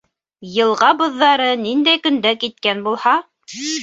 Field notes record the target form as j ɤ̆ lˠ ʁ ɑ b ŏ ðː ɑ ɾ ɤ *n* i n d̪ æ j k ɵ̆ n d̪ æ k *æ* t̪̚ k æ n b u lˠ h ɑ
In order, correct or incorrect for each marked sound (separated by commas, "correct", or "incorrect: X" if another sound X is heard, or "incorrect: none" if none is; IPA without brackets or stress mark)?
correct, incorrect: i